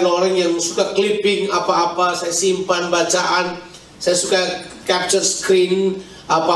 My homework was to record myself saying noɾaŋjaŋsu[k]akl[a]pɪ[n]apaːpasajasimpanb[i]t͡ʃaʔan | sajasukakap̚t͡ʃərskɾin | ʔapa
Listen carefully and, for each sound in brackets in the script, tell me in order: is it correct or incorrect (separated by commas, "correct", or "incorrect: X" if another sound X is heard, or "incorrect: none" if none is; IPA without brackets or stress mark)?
correct, incorrect: i, incorrect: ŋ, incorrect: a